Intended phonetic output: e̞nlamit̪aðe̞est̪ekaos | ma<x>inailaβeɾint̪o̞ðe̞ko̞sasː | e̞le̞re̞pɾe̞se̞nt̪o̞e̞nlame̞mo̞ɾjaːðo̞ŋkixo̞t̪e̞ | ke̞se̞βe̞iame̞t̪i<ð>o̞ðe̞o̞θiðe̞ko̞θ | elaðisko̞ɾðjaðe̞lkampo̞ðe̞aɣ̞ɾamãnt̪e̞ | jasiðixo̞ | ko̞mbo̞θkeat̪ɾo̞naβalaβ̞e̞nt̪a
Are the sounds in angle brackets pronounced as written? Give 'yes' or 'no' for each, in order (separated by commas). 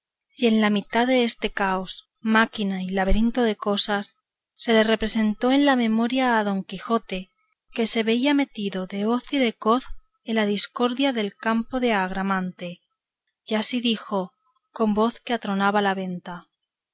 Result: no, yes